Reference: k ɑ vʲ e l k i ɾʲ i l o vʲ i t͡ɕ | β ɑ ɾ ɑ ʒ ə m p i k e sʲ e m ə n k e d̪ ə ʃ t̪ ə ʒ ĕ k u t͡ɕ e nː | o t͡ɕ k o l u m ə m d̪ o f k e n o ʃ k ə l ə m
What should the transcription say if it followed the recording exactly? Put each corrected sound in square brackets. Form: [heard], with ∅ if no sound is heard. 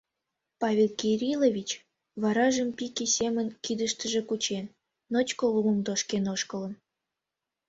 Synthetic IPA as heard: [p] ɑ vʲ e l k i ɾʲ i l o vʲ i t͡ɕ | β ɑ ɾ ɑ ʒ ə m p i k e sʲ e m ə n k [i] d̪ ə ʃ t̪ ə ʒ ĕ k u t͡ɕ e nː | o t͡ɕ k o l u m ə m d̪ o [ʃ] k e n o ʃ k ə l ə [n]

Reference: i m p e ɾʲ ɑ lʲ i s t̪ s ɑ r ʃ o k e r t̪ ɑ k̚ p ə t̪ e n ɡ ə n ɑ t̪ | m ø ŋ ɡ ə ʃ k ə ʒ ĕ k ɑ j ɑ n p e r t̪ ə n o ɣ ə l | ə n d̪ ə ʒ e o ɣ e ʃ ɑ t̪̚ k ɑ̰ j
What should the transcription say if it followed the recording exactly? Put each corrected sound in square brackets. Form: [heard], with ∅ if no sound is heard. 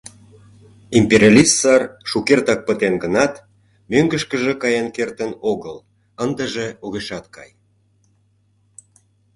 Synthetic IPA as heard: i m p e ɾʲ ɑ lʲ i s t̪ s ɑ r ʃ [u] k e r t̪ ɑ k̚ p ə t̪ e n ɡ ə n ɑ t̪ | m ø ŋ ɡ ə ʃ k ə ʒ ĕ k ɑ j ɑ n [k] e r t̪ ə n o ɣ ə l | ə n d̪ ə ʒ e o ɣ e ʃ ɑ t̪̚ k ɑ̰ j

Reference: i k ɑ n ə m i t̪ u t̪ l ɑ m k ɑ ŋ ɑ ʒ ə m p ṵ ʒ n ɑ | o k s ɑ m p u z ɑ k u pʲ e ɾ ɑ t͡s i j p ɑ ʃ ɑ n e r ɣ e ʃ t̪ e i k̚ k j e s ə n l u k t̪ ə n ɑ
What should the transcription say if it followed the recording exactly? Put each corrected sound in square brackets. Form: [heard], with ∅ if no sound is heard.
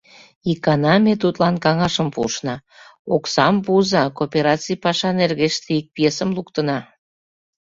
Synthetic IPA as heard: i k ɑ n [ɑ] m [e] t̪ u t̪ l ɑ [n] k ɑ ŋ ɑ [ʃ] ə m p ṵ [ʃ] n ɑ | o k s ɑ m p u z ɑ k [o] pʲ e ɾ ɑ t͡s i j p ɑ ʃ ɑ n e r ɣ e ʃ t̪ e i k̚ [p] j e s ə [m] l u k t̪ ə n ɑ

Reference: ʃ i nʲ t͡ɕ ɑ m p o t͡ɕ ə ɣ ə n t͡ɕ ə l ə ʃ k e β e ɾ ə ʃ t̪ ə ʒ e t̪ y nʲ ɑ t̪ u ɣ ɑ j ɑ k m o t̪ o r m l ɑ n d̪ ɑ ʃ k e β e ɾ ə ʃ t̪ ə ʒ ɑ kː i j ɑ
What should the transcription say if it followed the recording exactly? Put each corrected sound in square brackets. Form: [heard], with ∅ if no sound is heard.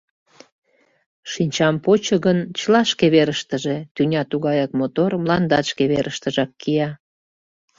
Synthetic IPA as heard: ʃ i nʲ t͡ɕ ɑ m p o t͡ɕ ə ɣ ə n t͡ɕ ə l [ɑ] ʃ k e β e ɾ ə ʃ t̪ ə ʒ e t̪ y nʲ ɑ t̪ u ɣ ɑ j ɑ k m o t̪ o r m l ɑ n d̪ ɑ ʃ k e β e ɾ ə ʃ t̪ ə ʒ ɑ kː i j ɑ

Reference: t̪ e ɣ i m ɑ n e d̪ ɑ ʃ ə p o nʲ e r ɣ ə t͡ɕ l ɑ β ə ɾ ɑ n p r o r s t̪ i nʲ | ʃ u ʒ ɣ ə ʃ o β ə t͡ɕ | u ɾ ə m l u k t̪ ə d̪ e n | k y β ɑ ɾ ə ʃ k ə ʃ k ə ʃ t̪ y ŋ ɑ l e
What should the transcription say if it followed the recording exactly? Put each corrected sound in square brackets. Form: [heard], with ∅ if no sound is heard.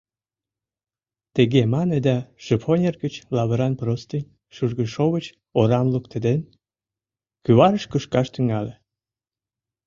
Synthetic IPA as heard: t̪ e ɣ [e] m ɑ n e d̪ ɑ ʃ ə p o nʲ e r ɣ ə t͡ɕ l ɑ β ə ɾ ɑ n p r o [∅] s t̪ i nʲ | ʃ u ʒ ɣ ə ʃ o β ə t͡ɕ | [o] ɾ [ɑ] m l u k t̪ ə d̪ e n | k y β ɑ ɾ ə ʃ k ə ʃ k [ɑ] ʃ t̪ y ŋ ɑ l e

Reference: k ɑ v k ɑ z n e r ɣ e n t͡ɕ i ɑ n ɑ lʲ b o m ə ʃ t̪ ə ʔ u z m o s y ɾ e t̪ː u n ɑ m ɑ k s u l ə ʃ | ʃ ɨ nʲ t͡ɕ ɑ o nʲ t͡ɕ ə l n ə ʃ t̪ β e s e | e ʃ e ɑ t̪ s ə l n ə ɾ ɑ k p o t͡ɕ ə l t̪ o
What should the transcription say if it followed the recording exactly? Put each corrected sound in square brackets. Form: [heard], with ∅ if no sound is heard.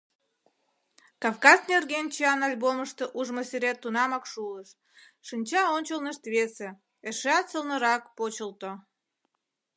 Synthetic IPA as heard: k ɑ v k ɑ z n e r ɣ e n t͡ɕ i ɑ n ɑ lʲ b o m ə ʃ t̪ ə ʔ u [ʒ] m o s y ɾ e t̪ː u n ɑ m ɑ k [ʃ] u l ə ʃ | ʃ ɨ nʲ t͡ɕ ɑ o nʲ t͡ɕ ə l n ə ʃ t̪ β e s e | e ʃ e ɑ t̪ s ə l n ə ɾ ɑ k p o t͡ɕ ə l t̪ o

